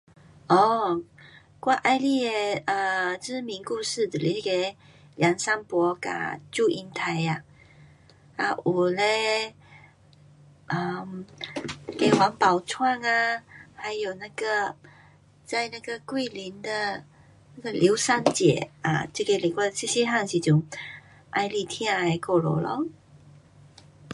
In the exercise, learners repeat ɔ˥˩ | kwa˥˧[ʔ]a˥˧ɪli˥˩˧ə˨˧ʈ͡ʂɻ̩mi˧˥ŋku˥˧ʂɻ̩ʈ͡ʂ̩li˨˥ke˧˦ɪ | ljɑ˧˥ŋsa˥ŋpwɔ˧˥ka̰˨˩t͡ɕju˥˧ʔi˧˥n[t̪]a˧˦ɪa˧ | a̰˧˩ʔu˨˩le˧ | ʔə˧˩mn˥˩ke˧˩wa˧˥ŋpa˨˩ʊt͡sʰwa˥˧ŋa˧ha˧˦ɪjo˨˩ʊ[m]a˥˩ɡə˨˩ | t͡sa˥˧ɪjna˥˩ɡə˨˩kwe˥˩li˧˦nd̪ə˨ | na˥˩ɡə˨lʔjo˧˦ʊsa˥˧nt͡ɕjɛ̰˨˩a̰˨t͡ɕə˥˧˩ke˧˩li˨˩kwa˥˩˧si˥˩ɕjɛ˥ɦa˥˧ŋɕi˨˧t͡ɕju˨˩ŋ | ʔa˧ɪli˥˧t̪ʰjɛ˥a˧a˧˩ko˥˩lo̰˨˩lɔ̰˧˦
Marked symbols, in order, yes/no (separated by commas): yes, no, no